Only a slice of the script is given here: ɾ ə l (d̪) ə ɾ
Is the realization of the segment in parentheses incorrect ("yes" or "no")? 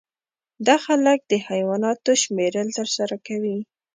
yes